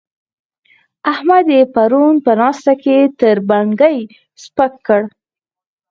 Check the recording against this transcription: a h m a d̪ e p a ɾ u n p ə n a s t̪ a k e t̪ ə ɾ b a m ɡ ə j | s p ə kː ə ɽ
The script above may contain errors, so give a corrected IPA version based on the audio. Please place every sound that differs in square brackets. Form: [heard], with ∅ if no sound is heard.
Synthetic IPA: a h m a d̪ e p a ɾ u n p ə n [ɑ] s t̪ a k e t̪ ə ɾ b a [ŋ] ɡ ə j | s p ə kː ə ɽ